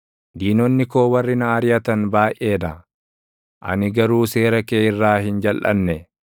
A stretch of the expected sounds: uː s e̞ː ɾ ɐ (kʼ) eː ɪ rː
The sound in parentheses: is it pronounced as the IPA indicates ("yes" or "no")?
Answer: no